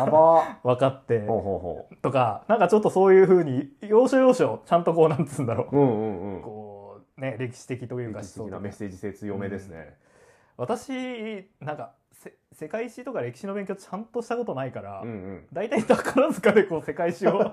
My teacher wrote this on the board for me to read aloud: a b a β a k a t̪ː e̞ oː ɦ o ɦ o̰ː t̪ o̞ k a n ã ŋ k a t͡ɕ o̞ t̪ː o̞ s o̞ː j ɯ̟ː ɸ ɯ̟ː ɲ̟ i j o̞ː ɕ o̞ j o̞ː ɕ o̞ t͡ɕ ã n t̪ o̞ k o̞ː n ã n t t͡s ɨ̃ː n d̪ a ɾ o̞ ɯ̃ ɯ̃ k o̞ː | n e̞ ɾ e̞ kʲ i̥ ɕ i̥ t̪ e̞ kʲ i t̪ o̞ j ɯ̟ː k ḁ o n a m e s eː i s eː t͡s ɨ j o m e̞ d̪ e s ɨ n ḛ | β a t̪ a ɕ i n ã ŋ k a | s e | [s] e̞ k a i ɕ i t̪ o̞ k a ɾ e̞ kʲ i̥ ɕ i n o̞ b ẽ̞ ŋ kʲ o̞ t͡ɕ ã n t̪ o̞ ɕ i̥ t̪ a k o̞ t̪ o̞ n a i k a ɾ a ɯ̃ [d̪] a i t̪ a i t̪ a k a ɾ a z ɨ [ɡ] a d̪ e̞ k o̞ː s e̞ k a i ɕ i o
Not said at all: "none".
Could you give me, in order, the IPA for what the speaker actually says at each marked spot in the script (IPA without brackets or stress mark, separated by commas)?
s, d̪, k